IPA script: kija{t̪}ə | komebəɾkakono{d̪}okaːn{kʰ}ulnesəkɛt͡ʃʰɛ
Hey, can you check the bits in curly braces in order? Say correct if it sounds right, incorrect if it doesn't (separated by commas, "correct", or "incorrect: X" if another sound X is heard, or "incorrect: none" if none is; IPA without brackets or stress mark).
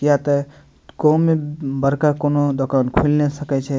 correct, correct, correct